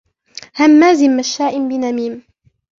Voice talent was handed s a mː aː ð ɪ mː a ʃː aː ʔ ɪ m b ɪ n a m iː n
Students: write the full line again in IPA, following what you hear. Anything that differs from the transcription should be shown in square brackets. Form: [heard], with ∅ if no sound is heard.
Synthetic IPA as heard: [h] a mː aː [z] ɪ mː a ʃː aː ʔ ɪ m b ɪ n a m iː [m]